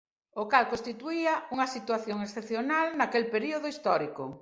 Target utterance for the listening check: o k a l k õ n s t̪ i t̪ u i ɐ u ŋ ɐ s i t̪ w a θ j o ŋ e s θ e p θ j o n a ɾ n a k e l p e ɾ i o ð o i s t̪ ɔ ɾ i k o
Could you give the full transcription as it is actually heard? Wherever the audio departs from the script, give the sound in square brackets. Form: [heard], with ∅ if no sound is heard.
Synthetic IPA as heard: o k a l k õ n s t̪ i t̪ u i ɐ u ŋ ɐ s i t̪ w a θ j o ŋ e s θ e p θ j o n a [l] n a k e l p e ɾ i o ð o i s t̪ ɔ ɾ i k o